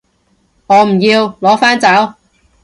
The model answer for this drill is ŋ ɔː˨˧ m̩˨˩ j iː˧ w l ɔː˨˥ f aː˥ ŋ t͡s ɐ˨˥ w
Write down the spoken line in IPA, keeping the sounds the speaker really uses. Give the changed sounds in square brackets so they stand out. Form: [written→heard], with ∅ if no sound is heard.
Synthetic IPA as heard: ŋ ɔː˨˧ m̩˨˩ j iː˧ w l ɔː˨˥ f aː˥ [ŋ→n] t͡s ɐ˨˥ w